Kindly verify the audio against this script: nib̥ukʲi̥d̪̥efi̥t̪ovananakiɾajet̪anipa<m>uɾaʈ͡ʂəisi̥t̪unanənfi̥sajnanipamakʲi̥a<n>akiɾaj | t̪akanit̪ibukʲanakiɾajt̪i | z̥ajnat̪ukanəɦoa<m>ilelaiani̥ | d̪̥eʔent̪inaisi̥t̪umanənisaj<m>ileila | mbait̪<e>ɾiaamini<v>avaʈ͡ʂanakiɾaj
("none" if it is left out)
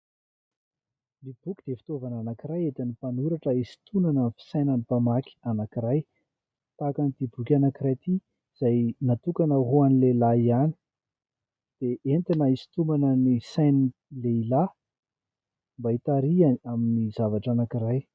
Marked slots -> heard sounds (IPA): n, n, n, n, a, z

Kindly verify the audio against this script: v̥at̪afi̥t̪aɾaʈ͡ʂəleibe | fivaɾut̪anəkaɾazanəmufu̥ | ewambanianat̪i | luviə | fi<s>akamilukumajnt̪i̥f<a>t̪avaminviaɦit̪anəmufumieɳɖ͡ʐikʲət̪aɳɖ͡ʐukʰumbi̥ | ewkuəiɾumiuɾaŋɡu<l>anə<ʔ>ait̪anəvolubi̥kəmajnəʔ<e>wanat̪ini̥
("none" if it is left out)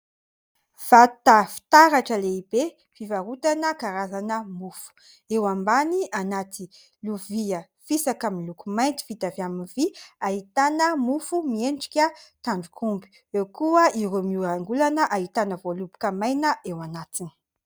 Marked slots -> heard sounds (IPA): s, i, l, ʔ, e

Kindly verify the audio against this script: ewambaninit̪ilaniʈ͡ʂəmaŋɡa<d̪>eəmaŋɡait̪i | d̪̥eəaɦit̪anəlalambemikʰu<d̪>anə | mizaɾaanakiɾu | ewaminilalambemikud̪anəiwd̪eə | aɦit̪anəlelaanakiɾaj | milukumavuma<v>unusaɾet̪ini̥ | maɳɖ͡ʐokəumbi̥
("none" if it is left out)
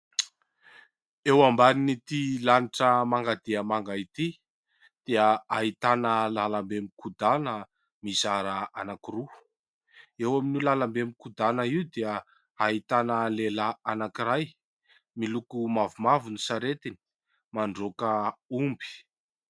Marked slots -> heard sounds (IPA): d̪, d̪, v

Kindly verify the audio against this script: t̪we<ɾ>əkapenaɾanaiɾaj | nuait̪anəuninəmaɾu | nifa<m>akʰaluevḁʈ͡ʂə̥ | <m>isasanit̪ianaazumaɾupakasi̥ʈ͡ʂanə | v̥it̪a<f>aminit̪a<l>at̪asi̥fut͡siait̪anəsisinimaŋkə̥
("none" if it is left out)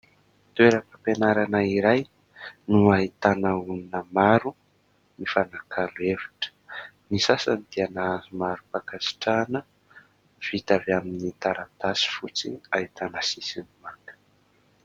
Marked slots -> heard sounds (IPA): ɾ, n, n, v, ɾ

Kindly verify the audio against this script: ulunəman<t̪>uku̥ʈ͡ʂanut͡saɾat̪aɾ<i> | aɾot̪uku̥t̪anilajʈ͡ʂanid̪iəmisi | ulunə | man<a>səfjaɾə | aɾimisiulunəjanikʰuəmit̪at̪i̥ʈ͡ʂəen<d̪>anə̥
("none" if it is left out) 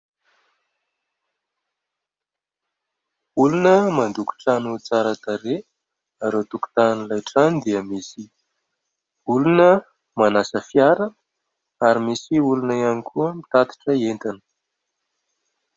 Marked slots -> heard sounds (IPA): d̪, e, a, t̪

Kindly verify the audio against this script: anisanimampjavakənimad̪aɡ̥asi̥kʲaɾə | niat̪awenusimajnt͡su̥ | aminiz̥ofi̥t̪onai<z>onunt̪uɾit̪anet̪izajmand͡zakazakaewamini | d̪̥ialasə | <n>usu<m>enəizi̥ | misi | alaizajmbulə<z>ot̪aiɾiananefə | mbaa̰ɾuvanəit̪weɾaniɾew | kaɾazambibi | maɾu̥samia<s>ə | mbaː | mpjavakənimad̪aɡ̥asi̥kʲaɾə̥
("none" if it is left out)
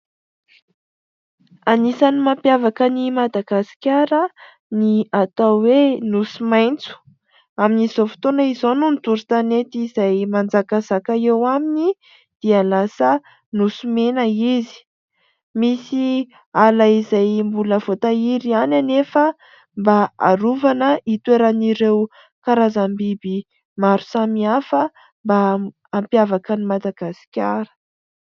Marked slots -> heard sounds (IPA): z, n, m, v, f

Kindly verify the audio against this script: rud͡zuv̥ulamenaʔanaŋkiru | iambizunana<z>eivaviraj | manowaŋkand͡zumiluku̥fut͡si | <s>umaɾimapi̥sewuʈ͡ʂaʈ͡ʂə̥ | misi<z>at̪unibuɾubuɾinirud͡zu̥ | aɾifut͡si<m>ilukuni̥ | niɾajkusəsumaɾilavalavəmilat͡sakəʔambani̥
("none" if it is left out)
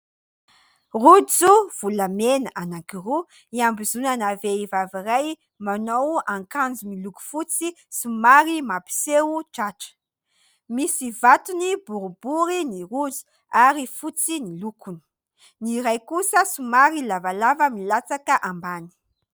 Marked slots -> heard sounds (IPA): v, s, v, n

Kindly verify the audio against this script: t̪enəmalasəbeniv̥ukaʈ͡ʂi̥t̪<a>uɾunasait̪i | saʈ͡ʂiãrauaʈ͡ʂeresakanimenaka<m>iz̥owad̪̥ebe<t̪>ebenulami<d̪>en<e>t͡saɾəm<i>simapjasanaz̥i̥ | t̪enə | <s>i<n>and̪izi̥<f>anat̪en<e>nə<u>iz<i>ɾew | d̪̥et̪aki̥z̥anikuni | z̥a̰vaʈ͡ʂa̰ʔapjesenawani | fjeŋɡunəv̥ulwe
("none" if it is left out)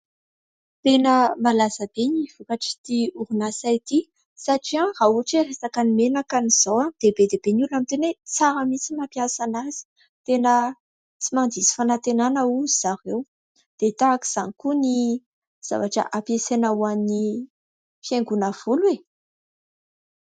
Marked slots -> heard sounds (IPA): i, n, d̪, t̪, e, i, t͡s, m, f, a, u, a

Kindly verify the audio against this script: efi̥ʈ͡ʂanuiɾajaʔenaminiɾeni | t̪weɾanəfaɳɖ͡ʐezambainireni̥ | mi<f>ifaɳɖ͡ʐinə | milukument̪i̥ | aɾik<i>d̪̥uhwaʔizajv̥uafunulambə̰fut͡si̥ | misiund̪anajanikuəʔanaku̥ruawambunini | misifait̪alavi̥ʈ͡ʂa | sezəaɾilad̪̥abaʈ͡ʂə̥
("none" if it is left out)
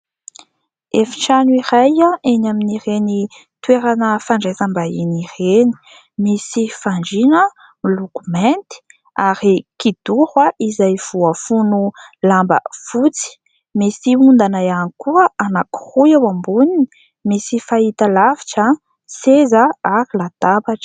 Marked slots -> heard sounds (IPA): s, i

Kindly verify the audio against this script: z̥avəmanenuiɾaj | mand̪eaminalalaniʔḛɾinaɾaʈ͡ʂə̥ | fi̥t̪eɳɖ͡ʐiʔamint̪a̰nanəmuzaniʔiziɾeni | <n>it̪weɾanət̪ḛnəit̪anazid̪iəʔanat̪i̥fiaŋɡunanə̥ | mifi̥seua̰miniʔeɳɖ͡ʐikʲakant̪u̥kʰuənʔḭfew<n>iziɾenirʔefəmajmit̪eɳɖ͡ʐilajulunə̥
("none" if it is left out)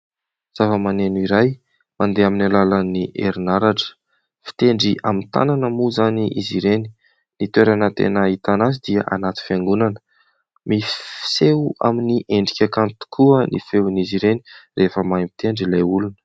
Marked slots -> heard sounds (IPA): n, n

